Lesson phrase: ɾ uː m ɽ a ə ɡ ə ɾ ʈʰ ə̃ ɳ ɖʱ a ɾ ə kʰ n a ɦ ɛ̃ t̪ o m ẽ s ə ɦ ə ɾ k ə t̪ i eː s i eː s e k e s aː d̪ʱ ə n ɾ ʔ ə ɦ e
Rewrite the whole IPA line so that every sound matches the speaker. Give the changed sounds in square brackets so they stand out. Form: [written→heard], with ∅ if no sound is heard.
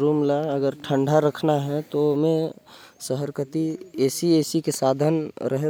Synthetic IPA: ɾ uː m [ɽ→l] a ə ɡ ə ɾ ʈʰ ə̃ ɳ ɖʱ a ɾ ə kʰ n a ɦ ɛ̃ t̪ o m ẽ s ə ɦ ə ɾ k ə t̪ i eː s i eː s [e→i] k e s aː d̪ʱ ə n ɾ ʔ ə ɦ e